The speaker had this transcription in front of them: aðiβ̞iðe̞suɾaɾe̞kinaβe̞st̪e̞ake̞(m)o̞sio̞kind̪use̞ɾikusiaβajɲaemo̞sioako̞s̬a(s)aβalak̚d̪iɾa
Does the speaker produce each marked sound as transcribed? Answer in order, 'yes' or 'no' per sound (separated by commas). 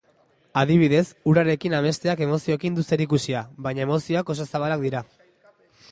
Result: yes, yes